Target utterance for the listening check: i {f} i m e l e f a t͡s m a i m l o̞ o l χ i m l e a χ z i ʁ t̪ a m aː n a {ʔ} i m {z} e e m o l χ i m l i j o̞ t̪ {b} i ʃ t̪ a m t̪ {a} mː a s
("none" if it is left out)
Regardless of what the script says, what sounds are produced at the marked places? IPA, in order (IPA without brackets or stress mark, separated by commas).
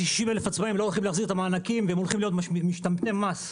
ʃ, k, v, m, e